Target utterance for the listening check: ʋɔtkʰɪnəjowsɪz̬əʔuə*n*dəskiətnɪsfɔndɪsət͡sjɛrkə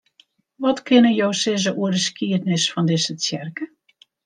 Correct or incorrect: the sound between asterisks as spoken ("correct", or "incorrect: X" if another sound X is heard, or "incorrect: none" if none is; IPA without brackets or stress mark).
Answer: incorrect: none